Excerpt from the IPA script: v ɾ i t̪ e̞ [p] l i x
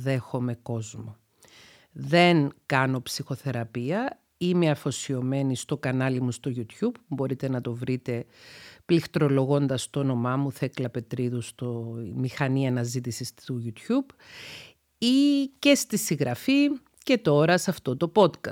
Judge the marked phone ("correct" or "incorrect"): correct